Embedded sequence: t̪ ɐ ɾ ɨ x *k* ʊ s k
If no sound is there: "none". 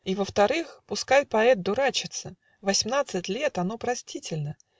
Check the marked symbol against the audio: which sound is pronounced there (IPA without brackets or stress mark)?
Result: p